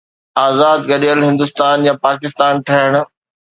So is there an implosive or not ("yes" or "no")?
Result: yes